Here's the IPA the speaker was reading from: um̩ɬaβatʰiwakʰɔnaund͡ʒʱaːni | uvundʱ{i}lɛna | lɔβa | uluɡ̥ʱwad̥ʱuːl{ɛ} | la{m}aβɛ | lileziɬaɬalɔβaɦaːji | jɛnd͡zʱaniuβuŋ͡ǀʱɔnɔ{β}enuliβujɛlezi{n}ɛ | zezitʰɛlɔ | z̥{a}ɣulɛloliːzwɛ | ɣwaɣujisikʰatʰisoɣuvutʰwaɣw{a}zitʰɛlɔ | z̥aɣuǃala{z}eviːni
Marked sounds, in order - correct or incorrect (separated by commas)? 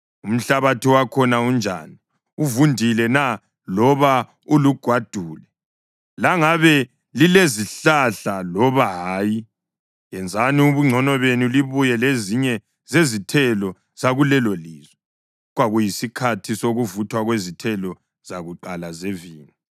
correct, correct, incorrect, correct, incorrect, correct, incorrect, correct